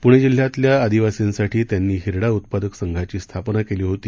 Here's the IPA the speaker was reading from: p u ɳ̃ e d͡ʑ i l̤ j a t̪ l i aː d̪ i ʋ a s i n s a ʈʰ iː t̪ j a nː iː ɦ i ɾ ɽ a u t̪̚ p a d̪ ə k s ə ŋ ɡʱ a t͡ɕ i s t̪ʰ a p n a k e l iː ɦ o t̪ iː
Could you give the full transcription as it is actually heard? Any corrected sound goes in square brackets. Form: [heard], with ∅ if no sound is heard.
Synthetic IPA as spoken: p u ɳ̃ e d͡ʑ i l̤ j a t̪ l [j] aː d̪ i ʋ a s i n s a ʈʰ iː t̪ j a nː iː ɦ i ɾ ɽ a u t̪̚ p a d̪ ə k s ə ŋ ɡʱ a t͡ɕ [iː] s t̪ʰ a p n a k e l iː ɦ o t̪ iː